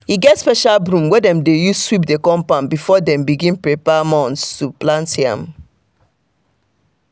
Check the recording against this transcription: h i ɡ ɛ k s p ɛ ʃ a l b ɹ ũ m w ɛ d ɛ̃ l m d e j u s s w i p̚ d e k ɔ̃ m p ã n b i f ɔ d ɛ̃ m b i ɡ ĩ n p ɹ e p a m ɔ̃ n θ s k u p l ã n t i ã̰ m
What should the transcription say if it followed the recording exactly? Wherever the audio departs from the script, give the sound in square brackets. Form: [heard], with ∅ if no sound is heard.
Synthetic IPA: h i ɡ ɛ [t] s p ɛ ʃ a l b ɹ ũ m w ɛ d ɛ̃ [∅] m d e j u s s w i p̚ d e k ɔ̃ m p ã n b i f ɔ d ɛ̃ m b i ɡ ĩ n p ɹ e p a m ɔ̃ n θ s [t] u p l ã n t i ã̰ m